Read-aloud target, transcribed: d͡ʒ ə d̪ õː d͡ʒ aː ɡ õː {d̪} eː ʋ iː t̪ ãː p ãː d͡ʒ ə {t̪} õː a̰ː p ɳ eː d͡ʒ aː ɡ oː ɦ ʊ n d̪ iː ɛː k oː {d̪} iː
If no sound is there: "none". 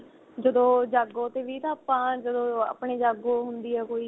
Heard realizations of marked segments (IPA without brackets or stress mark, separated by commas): t̪, d̪, none